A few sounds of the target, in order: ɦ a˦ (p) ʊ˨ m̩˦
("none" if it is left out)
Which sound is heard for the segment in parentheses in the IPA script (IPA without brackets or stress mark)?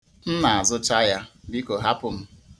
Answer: p